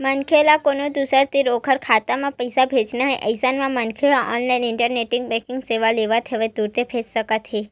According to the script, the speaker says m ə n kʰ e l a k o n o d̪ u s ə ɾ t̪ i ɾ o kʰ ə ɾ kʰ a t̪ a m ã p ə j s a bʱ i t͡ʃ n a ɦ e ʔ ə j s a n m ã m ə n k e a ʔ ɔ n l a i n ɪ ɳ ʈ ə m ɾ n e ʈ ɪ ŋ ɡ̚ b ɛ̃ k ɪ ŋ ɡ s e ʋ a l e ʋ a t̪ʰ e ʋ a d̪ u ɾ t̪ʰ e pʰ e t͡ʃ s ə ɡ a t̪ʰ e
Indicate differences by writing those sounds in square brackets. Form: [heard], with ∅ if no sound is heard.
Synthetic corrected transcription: m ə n kʰ e l a k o n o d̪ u s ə ɾ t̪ i ɾ o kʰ ə ɾ kʰ a t̪ a m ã p ə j s a bʱ [e] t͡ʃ n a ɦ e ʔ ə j s a n m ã m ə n [kʰ] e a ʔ ɔ n l a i n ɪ ɳ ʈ ə [∅] ɾ n e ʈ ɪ ŋ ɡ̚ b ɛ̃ k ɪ ŋ ɡ s e ʋ a l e ʋ a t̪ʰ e ʋ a d̪ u ɾ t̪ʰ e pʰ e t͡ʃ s ə [k] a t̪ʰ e